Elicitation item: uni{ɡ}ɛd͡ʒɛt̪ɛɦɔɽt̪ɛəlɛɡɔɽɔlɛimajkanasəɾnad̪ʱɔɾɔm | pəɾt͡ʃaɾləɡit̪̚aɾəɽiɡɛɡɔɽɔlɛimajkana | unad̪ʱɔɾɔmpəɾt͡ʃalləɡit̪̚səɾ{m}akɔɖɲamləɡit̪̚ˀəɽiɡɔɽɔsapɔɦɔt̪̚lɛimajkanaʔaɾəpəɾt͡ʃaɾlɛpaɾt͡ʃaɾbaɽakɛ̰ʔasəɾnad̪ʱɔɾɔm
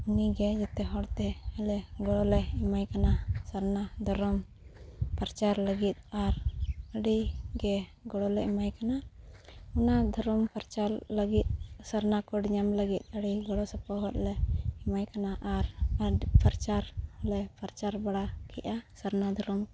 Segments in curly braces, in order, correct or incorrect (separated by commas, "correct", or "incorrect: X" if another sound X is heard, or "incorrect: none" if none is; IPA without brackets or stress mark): correct, incorrect: n